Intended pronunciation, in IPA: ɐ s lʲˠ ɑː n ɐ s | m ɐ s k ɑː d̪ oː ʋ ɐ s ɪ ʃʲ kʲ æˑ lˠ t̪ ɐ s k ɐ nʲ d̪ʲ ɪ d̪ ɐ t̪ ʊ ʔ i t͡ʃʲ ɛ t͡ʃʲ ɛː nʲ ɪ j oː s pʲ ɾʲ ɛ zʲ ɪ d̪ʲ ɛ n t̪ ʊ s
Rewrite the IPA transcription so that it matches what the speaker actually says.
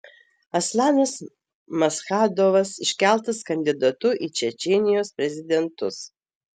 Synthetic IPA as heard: ɐ s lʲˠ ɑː n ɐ s | m ɐ s x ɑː d̪ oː ʋ ɐ s ɪ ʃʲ kʲ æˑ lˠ t̪ ɐ s k ɐ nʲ d̪ʲ ɪ d̪ ɐ t̪ ʊ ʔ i t͡ʃʲ ɛ t͡ʃʲ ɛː nʲ ɪ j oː s pʲ ɾʲ ɛ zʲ ɪ d̪ʲ ɛ n t̪ ʊ s